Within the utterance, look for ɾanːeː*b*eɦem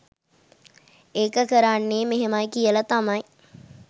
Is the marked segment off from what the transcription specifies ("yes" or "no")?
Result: yes